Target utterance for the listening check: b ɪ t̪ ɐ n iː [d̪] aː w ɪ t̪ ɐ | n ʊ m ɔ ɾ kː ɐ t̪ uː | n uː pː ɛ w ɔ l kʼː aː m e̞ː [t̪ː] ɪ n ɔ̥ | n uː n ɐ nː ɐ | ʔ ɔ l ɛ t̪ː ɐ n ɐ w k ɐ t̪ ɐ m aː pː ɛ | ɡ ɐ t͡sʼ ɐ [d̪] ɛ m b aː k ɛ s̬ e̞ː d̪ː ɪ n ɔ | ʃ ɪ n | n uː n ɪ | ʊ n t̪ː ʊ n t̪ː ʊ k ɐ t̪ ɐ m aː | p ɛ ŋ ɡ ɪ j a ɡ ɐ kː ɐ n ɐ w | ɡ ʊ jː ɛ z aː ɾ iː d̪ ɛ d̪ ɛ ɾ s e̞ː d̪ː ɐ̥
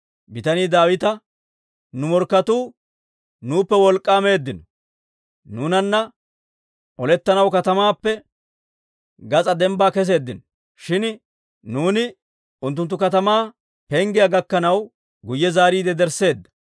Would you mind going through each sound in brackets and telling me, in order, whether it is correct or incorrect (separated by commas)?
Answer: correct, incorrect, correct